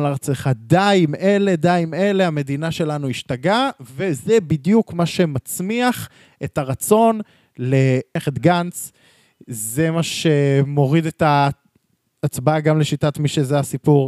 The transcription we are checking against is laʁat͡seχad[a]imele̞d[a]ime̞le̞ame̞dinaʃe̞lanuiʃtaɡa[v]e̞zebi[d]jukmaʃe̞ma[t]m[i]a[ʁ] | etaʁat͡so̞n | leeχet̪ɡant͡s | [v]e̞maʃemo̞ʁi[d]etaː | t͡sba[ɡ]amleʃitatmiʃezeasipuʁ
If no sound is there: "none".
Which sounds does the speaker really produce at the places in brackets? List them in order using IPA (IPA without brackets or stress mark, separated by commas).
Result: a, a, v, d, t͡s, i, χ, z, d, ɡ